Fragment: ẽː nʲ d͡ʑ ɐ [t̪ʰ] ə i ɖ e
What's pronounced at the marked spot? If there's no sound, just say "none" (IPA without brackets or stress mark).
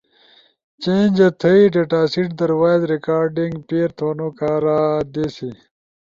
t̪ʰ